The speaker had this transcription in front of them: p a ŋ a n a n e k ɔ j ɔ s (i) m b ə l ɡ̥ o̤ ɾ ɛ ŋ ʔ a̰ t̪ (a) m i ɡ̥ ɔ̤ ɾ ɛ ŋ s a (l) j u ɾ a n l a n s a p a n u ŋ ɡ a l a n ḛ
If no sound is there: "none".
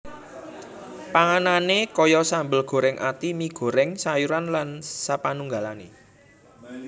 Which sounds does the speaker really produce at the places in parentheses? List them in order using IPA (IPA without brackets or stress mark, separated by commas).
a, i, none